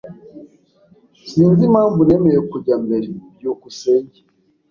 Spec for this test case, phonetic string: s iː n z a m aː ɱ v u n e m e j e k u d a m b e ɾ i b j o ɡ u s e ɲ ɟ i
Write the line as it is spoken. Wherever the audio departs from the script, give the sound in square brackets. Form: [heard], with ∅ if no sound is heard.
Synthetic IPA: s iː n z [i] m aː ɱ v u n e m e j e k u [ɟ] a m b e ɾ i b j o [k] u s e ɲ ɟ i